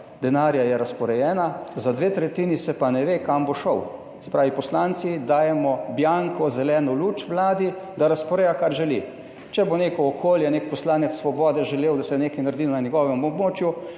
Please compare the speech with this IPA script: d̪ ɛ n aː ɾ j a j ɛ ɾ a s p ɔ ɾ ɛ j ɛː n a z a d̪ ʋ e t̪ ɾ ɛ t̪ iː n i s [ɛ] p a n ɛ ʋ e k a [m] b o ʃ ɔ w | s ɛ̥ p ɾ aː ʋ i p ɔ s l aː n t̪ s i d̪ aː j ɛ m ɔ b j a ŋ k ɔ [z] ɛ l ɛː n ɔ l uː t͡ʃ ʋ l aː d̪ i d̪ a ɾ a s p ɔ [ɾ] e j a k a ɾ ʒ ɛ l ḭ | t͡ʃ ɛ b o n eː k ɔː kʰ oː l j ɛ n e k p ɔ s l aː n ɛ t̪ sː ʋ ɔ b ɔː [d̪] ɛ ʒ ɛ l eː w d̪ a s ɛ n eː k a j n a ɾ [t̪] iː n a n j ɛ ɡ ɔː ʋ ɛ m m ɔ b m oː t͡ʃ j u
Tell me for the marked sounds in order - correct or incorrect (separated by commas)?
correct, correct, correct, correct, correct, incorrect